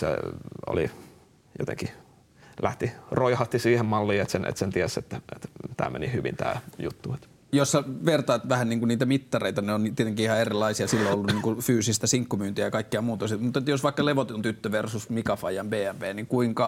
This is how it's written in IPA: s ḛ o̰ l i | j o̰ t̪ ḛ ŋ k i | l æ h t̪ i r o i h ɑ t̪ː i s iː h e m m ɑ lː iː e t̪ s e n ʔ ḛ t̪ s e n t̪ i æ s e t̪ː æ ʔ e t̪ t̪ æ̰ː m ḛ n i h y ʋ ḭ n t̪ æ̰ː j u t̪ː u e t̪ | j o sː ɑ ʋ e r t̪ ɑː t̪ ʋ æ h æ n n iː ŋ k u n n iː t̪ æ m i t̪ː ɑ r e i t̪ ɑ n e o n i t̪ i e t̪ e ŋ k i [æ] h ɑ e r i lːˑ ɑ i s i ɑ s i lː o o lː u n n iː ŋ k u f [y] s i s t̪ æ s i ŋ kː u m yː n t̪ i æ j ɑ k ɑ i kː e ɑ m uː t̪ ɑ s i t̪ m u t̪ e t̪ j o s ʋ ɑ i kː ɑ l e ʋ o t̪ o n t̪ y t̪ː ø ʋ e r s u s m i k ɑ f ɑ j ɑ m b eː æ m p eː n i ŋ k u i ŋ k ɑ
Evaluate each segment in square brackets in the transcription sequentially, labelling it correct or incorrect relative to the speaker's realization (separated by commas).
incorrect, incorrect